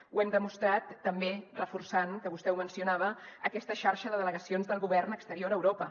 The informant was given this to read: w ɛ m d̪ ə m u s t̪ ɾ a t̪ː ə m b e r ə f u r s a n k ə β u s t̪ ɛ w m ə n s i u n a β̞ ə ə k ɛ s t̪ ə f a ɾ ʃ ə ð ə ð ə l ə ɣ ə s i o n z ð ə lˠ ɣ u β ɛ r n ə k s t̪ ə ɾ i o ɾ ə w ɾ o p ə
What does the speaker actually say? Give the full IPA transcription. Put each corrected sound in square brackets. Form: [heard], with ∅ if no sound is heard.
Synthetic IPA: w ɛ m d̪ ə m u s t̪ ɾ a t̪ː ə m b e r ə f u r s a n k ə β u s t̪ ɛ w m ə n s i u n a β̞ ə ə k ɛ s t̪ ə [ʃ] a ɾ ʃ ə ð ə ð ə l ə ɣ ə s i o n z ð ə lˠ ɣ u β ɛ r n ə k s t̪ ə ɾ i o ɾ ə w ɾ o p ə